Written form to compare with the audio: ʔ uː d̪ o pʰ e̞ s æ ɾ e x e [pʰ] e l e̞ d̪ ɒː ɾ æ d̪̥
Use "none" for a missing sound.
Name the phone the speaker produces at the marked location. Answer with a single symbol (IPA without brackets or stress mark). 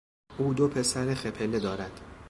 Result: pʰ